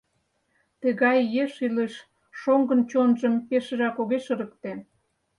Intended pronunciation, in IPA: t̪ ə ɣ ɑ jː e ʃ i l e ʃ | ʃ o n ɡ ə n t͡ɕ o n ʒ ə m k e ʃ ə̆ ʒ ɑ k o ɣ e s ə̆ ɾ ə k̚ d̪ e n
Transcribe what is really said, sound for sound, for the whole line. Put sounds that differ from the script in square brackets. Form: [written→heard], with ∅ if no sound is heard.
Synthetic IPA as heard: t̪ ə ɣ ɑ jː e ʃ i l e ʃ | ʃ o [n→ŋ] ɡ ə n t͡ɕ o n ʒ ə m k e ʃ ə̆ ʒ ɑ k o ɣ e [s→ʃ] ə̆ ɾ ə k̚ [d̪→t̪] e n